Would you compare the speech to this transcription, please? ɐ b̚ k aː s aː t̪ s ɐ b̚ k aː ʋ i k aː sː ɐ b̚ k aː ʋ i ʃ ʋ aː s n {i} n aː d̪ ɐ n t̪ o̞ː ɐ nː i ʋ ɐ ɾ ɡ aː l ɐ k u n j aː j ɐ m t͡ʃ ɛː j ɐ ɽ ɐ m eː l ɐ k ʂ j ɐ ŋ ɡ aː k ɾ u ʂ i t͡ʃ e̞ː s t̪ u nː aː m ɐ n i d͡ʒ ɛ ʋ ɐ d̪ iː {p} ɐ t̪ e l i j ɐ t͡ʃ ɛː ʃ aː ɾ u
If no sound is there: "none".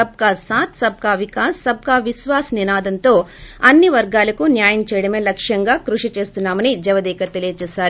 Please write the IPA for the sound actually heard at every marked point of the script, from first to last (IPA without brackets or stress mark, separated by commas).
i, k